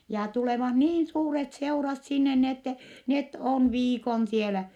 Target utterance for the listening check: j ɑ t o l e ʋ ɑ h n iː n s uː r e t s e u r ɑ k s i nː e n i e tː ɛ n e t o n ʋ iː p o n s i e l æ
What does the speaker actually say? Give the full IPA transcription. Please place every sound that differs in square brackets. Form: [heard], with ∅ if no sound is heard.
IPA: j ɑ t [u] l e ʋ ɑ h n iː n s uː r e t s e u r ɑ [t] s i nː e n i e tː ɛ n e t o n ʋ iː [k] o n s i e l æ